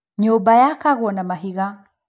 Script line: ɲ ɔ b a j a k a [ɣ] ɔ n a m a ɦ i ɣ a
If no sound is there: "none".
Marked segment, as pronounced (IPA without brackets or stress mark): ɣ